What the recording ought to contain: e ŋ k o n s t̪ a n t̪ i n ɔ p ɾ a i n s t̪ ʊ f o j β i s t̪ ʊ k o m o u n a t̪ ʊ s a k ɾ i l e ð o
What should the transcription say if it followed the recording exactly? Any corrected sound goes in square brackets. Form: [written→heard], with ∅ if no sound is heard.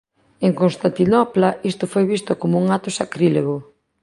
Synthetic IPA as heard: e ŋ k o n s t̪ a n t̪ i n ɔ p [ɾ→l] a i [n→∅] s t̪ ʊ f o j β i s t̪ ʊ k o m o u [n→ŋ] a t̪ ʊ s a k ɾ i l e [ð→ɣ] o